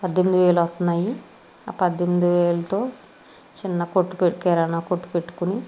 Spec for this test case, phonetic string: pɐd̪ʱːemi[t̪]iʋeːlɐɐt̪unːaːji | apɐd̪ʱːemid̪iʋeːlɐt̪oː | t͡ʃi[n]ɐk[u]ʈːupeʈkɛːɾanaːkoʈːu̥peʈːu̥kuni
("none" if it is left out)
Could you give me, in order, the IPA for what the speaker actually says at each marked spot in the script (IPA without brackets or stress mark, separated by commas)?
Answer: d̪, nː, o